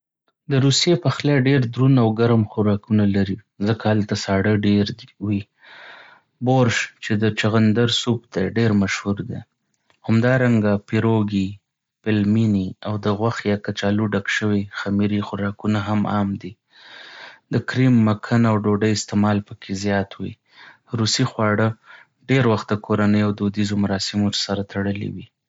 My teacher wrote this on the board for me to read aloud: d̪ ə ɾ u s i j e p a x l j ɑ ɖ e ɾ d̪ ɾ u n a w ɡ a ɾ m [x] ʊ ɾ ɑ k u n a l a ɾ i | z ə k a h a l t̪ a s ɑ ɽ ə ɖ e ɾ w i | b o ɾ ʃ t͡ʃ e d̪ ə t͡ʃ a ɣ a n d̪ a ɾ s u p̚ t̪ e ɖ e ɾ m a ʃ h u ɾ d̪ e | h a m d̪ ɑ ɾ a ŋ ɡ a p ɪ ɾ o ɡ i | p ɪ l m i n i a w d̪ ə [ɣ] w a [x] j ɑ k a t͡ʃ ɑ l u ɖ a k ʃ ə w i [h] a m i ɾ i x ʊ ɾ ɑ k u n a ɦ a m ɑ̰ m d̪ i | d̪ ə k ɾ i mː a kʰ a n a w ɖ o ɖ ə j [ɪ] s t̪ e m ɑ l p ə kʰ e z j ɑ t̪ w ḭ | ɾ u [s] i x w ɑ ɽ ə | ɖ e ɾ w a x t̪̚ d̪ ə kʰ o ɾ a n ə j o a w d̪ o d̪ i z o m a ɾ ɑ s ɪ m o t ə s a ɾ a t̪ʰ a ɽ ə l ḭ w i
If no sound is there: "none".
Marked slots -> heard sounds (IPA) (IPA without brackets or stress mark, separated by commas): x, ɣ, x, x, ɪ, s